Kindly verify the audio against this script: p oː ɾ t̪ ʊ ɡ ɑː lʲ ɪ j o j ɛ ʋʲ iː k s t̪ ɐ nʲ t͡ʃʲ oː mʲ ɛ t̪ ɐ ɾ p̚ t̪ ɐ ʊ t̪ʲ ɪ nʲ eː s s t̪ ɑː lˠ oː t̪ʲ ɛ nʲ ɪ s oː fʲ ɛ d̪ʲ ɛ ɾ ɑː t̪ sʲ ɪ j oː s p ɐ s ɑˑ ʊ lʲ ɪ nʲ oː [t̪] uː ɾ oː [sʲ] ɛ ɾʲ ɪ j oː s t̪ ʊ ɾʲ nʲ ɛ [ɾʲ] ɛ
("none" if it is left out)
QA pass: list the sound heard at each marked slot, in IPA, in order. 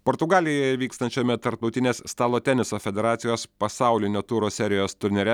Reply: t̪, sʲ, ɾʲ

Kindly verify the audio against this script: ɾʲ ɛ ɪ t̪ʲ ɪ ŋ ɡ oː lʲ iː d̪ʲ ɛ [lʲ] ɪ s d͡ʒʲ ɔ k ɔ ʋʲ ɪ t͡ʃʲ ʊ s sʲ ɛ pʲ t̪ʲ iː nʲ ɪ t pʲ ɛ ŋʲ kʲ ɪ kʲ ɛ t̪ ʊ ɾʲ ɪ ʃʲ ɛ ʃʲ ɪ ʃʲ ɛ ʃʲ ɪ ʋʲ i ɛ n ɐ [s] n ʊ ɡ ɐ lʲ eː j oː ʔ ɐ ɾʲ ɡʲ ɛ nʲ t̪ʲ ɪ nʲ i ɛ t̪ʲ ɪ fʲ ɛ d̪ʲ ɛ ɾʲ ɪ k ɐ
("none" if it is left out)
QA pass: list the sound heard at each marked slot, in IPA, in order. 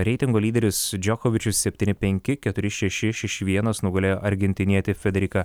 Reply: ɾʲ, s

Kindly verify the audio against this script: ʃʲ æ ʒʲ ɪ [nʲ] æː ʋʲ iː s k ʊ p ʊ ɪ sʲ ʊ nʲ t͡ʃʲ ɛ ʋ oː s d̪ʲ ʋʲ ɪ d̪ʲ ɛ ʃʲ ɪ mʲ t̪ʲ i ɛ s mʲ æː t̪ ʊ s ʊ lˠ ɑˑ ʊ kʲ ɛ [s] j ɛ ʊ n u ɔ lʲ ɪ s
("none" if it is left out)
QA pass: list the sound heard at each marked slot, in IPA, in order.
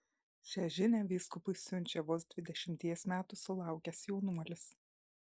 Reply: nʲ, s

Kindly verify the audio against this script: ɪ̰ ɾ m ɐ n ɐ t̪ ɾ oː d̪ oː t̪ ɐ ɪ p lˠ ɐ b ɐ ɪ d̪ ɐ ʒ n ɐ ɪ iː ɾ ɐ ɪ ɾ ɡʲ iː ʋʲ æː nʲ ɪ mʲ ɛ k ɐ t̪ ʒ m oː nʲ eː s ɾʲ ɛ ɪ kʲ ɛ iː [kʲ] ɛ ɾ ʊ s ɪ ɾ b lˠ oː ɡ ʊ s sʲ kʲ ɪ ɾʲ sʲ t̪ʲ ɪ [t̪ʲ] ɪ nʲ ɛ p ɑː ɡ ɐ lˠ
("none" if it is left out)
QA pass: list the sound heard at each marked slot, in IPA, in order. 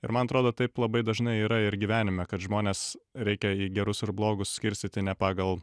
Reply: ɡʲ, t̪ʲ

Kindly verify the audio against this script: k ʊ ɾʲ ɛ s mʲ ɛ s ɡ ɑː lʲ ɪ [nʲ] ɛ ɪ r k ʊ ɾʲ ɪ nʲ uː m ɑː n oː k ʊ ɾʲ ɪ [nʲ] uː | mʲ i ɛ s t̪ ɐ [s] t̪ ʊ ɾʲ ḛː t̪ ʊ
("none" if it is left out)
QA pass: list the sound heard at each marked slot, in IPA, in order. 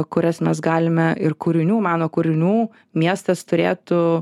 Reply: mʲ, nʲ, s

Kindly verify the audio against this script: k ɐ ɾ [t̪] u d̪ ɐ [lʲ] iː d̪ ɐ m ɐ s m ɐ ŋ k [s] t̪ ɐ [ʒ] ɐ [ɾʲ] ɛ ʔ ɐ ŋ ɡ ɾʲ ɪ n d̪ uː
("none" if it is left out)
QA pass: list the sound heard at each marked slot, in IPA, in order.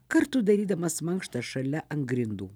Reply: t̪, ɾʲ, ʃ, ʃ, lʲ

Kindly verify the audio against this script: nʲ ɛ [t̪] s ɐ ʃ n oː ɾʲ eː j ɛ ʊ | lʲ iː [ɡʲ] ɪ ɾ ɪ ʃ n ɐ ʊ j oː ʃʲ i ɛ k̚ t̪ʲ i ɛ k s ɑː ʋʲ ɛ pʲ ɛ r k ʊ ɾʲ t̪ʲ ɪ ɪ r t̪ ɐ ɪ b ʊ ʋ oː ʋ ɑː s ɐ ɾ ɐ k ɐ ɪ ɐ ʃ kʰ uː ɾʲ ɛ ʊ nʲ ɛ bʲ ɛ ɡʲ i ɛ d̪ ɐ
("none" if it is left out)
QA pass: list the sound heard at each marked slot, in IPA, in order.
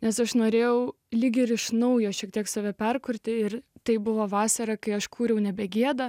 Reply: none, ɡʲ

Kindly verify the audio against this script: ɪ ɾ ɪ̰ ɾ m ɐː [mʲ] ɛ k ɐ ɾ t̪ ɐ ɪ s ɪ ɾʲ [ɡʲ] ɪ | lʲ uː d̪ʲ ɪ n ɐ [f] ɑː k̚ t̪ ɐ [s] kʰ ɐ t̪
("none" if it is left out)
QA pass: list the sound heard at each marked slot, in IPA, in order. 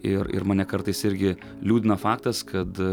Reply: nʲ, ɡʲ, f, s

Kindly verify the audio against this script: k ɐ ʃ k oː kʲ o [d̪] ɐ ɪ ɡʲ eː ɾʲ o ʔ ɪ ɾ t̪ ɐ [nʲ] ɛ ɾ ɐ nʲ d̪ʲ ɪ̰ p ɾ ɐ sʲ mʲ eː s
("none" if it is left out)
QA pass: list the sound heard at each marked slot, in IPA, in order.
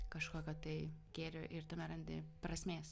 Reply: t̪, mʲ

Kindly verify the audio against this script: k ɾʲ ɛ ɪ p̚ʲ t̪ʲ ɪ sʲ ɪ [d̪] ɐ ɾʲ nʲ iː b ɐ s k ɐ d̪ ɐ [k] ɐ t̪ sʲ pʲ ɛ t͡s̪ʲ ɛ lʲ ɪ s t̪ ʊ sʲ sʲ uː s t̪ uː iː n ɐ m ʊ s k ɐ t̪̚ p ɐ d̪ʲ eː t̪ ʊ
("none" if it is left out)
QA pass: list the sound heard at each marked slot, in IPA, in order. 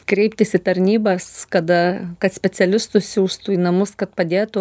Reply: t̪, k

